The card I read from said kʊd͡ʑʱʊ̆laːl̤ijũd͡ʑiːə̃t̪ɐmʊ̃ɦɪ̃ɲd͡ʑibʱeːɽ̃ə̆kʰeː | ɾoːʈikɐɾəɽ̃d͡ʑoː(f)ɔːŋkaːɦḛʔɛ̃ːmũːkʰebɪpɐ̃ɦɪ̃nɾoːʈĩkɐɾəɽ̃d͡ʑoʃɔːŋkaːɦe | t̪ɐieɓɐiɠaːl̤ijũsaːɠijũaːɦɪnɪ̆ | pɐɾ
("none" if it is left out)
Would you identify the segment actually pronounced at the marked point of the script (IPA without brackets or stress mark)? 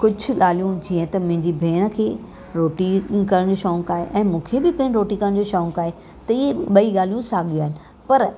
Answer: ʃ